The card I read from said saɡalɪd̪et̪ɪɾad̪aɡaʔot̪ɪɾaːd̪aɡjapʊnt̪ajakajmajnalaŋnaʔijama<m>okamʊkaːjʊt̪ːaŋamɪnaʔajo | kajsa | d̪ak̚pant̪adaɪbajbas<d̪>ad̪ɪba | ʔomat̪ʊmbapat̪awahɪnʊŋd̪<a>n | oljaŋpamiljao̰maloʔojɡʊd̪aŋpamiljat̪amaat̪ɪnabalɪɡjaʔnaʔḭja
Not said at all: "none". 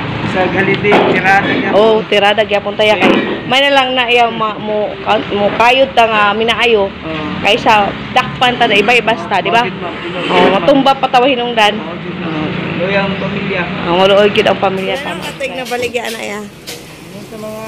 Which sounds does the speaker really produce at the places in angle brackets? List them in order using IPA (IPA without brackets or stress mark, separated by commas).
m, t̪, a